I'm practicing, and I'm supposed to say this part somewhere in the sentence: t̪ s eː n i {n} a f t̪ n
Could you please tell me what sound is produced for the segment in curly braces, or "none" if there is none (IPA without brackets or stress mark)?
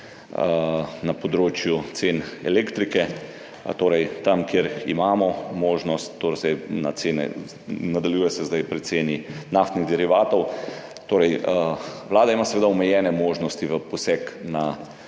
n